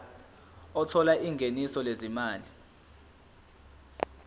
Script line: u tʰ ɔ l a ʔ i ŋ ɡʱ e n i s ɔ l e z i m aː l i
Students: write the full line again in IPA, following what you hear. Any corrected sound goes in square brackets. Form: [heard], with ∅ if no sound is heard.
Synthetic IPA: [ɔ] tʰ ɔ l a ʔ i ŋ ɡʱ e n i s ɔ l e z i m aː l i